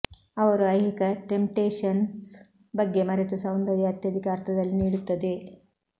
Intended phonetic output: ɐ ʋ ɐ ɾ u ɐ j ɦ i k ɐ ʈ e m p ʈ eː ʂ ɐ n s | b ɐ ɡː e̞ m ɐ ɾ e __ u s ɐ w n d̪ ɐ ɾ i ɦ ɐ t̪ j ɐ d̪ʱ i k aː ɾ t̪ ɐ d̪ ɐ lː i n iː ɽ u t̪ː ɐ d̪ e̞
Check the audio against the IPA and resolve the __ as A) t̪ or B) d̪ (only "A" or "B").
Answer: A